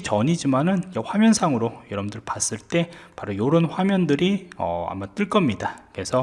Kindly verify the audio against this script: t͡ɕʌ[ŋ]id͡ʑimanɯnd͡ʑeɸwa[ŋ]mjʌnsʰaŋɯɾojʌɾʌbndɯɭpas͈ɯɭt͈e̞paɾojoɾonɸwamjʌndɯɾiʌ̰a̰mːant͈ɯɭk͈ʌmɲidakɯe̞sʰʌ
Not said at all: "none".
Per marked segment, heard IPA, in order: ɲ, none

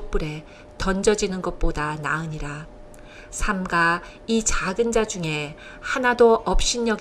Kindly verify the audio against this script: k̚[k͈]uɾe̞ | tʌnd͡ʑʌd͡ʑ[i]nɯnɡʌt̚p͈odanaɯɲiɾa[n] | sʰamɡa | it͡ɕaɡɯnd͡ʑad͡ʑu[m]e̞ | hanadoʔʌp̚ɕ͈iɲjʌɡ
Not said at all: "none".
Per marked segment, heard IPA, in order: p͈, i, none, ŋ

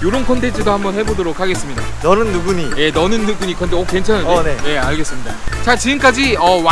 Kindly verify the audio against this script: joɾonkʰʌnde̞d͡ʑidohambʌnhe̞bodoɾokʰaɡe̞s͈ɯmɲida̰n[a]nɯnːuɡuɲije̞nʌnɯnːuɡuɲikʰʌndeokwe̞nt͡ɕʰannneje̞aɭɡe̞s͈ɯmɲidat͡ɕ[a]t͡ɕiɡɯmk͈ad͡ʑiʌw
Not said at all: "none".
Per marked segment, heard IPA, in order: ʌ, a

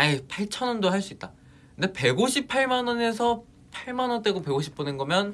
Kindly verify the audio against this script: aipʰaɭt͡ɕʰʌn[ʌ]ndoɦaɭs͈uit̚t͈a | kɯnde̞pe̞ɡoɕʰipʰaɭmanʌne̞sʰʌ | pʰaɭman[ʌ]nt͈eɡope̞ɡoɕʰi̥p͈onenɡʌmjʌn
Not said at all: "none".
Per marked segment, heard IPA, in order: ʌ, ʌ

